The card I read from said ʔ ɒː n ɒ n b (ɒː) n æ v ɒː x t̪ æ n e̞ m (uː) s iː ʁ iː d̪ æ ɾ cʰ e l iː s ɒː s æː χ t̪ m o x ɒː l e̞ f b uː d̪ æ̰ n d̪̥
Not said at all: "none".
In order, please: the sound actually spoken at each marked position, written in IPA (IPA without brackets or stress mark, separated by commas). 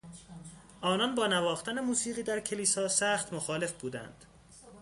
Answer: ɒː, uː